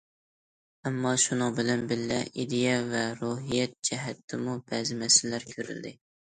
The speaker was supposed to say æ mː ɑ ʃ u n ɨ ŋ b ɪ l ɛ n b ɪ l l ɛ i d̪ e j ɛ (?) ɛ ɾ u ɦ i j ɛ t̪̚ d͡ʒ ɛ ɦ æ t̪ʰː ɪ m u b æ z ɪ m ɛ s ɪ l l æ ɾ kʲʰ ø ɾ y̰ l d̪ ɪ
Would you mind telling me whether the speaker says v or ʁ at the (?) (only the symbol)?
v